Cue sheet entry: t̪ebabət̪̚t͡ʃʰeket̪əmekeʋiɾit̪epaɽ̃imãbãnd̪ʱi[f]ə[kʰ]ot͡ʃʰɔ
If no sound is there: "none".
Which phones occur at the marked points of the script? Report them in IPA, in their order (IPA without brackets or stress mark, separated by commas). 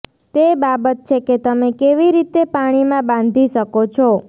ʃ, k